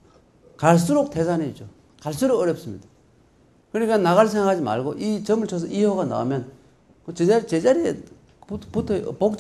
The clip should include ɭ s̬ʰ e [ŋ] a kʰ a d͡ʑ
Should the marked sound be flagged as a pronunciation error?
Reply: no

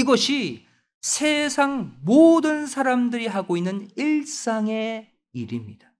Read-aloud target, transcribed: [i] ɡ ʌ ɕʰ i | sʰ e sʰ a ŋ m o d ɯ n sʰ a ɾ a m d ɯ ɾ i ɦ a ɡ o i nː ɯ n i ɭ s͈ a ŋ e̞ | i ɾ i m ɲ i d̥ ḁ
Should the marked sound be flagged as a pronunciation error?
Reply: no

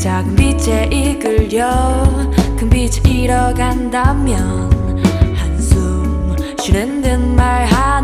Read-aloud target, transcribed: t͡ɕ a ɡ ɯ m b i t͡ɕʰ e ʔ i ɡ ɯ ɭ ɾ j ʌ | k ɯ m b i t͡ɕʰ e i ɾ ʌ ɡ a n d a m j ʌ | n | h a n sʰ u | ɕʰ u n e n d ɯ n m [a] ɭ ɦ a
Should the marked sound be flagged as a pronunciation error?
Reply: no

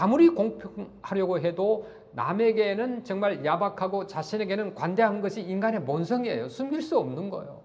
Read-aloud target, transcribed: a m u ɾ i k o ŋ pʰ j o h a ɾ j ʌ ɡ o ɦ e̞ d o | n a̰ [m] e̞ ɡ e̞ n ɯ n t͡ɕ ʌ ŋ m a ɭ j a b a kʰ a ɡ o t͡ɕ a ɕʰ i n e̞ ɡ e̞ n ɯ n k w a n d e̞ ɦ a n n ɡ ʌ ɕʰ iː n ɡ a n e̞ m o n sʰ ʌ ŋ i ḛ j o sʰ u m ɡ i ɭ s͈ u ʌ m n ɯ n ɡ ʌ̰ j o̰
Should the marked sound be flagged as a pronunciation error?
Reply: no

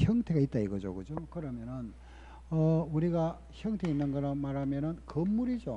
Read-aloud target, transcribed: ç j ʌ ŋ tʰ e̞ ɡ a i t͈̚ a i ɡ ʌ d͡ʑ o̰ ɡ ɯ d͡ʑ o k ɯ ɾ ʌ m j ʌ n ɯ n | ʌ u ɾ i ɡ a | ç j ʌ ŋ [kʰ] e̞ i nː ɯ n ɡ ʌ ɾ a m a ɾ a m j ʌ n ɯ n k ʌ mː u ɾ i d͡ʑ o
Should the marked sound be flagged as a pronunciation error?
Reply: yes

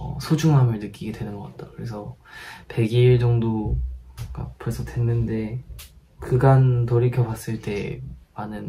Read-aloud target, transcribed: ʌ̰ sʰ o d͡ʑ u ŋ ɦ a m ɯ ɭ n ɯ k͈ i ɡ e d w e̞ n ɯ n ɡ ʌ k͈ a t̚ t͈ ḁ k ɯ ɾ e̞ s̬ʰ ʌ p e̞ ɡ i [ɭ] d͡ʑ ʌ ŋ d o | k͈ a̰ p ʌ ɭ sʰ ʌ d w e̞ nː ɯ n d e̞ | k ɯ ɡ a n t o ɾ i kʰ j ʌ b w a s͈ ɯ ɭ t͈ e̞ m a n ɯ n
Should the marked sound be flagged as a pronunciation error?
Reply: no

